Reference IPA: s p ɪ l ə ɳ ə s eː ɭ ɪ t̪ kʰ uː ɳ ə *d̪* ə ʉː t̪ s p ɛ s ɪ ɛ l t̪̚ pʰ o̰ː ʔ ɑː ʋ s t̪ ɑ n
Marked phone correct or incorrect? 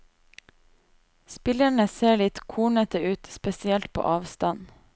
incorrect